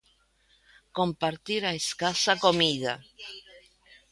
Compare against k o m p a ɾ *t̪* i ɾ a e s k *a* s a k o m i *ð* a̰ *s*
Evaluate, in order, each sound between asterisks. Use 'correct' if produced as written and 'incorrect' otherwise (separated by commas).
correct, correct, correct, incorrect